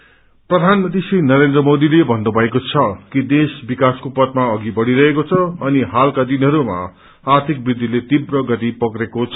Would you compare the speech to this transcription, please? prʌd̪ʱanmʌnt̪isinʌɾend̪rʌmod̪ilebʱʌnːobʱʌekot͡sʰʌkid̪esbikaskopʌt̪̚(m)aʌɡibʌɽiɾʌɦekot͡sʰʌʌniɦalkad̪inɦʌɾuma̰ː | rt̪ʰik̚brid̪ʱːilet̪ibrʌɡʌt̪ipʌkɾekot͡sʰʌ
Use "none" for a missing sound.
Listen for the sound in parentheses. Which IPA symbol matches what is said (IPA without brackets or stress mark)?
m